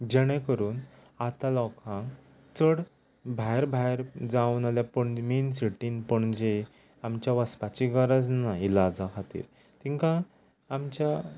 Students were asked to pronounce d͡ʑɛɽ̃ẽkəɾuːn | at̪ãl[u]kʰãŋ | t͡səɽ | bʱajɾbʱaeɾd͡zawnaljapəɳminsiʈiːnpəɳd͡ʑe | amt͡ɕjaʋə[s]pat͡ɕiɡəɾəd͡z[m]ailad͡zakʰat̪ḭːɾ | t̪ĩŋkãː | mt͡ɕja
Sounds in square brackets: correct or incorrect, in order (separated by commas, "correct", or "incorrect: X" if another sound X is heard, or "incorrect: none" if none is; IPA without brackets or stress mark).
incorrect: ɔ, correct, incorrect: n